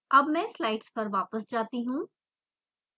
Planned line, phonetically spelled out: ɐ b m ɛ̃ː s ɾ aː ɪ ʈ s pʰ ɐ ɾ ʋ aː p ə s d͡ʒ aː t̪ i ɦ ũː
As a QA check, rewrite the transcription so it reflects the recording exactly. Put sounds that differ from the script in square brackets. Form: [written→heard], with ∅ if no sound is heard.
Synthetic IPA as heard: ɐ b m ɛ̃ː s [ɾ→l] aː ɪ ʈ s [pʰ→p] ɐ ɾ ʋ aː p ə s d͡ʒ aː t̪ i ɦ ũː